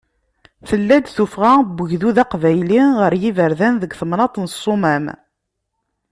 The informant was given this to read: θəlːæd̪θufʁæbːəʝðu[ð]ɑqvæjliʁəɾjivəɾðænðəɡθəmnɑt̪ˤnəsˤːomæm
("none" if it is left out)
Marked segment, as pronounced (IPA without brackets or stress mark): ð